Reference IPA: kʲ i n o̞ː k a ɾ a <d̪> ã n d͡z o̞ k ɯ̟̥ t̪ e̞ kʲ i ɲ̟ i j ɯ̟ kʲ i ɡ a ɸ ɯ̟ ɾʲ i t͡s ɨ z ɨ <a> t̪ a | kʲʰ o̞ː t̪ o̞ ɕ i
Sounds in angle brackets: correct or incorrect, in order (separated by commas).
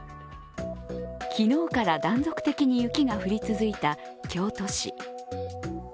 correct, incorrect